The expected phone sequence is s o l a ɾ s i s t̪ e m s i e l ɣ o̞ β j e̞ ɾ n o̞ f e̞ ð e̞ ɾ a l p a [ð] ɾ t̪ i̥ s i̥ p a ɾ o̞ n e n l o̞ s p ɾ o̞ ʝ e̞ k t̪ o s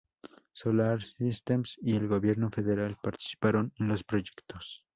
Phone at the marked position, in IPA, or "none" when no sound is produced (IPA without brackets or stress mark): none